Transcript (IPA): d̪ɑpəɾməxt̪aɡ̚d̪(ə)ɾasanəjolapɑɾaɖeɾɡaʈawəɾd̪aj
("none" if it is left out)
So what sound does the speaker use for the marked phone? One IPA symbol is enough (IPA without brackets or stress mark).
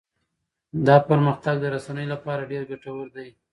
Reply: ə